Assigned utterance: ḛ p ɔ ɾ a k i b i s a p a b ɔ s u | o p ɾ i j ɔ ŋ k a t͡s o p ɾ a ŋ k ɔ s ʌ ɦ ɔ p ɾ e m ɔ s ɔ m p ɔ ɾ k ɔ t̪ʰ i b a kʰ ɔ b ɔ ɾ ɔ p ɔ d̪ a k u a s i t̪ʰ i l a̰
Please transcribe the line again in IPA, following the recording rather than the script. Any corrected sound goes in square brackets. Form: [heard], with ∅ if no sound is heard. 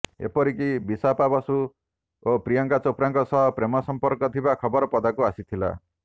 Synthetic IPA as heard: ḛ p ɔ ɾ [i] k i b i s a p a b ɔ s u | o p ɾ i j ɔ ŋ k a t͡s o p ɾ a ŋ k ɔ s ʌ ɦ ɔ p ɾ e m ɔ s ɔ m p ɔ ɾ k ɔ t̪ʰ i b a kʰ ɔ b ɔ ɾ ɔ p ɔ d̪ a k u a s i t̪ʰ i l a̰

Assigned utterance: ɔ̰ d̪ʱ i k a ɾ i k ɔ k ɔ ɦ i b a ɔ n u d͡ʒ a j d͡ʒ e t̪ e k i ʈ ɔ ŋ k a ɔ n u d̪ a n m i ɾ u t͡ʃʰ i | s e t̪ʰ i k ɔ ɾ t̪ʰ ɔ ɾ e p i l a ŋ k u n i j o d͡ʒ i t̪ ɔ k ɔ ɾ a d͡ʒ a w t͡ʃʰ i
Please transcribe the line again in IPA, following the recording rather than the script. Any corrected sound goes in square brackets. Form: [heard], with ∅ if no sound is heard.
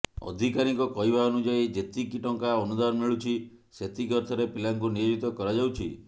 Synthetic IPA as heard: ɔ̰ d̪ʱ i k a ɾ i k ɔ k ɔ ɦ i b a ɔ n u d͡ʒ a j d͡ʒ e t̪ [i] k i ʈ ɔ ŋ k a ɔ n u d̪ a n m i [ɭ] u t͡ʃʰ i | s e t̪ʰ i k ɔ ɾ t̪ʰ ɔ ɾ e p i l a ŋ k u n i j o d͡ʒ i t̪ ɔ k ɔ ɾ a d͡ʒ a w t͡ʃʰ i

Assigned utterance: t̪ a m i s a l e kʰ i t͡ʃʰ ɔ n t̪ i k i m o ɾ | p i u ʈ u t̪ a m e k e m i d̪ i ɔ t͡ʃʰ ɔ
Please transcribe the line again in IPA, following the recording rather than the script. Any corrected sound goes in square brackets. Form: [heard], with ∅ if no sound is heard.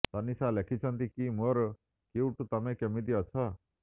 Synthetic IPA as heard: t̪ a [n] i s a l e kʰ i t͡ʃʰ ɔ n t̪ i k i m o ɾ | [k] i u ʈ u t̪ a m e k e m i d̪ i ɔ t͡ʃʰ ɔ

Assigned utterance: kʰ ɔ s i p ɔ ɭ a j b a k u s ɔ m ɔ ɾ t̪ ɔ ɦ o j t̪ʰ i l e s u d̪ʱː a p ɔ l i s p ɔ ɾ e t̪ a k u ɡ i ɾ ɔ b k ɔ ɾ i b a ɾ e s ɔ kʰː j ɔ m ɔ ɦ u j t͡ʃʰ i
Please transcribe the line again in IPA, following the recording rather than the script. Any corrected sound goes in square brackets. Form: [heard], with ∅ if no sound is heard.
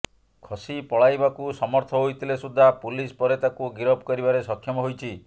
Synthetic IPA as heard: kʰ ɔ s i p ɔ ɭ a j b a k u s ɔ m ɔ ɾ [t̪ʰ] ɔ ɦ o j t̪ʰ i l e s u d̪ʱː a p [u] l i s p ɔ ɾ e t̪ a k u ɡ i ɾ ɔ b k ɔ ɾ i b a ɾ e s ɔ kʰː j ɔ m ɔ ɦ [o] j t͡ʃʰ i

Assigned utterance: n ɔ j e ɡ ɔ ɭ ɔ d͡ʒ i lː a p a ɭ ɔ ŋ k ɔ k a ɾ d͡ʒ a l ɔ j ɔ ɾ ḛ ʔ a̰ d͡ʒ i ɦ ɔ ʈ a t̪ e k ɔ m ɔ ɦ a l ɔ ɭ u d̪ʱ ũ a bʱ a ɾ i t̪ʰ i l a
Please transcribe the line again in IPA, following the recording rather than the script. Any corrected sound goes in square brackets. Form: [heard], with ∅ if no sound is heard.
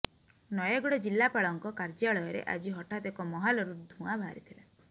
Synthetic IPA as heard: n ɔ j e ɡ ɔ [ɽ] ɔ d͡ʒ i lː a p a ɭ ɔ ŋ k ɔ k a ɾ d͡ʒ a [ɭ] ɔ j ɔ ɾ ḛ ʔ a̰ d͡ʒ i ɦ ɔ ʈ a t̪ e k ɔ m ɔ ɦ a l ɔ [ɾ] u d̪ʱ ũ a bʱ a ɾ i t̪ʰ i l a

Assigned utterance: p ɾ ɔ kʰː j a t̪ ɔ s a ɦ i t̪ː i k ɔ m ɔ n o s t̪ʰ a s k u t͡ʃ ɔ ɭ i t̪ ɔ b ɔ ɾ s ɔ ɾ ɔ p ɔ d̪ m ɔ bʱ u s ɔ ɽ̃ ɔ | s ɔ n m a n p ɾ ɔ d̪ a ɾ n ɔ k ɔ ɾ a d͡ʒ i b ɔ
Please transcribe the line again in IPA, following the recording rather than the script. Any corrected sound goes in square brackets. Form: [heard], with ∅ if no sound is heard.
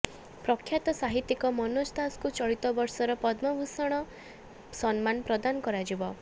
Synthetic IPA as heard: p ɾ ɔ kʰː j a t̪ ɔ s a ɦ i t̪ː i k ɔ m ɔ n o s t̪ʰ a s k u t͡ʃ ɔ ɭ i t̪ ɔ b ɔ ɾ s ɔ ɾ ɔ p ɔ d̪ m ɔ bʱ u s ɔ ɽ̃ ɔ | s ɔ n m a n p ɾ ɔ d̪ a [∅] n ɔ k ɔ ɾ a d͡ʒ i b ɔ

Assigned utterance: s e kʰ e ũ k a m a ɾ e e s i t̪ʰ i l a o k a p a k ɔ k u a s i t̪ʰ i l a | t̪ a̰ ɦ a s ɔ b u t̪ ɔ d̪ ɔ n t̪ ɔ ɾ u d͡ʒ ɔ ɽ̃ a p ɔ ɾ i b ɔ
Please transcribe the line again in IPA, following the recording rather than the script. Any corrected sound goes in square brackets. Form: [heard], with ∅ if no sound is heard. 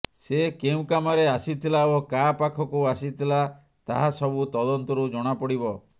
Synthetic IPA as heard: s e [k] e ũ k a m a ɾ e [a] s i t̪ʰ i l a o k a p a [kʰ] ɔ k u a s i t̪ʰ i l a | t̪ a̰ ɦ a s ɔ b u t̪ ɔ d̪ ɔ n t̪ ɔ ɾ u d͡ʒ ɔ ɽ̃ a p ɔ [ɽ] i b ɔ

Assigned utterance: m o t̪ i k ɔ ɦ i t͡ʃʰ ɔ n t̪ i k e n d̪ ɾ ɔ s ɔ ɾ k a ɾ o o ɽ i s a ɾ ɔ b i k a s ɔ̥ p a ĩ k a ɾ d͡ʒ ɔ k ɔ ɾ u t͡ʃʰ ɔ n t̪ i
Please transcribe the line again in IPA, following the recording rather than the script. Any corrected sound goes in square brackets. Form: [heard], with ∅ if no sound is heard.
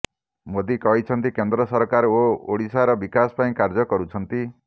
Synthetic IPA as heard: m o [d̪] i k ɔ ɦ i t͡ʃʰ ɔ n t̪ i k e n d̪ ɾ ɔ s ɔ ɾ k a ɾ o o ɽ i s a ɾ ɔ b i k a s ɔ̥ p a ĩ k a ɾ d͡ʒ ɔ k ɔ ɾ u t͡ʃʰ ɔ n t̪ i

